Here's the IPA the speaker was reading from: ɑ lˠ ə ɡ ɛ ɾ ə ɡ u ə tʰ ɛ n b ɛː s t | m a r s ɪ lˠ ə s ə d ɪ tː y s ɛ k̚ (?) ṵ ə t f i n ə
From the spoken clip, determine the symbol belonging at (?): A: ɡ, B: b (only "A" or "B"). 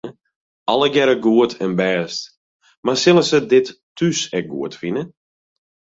A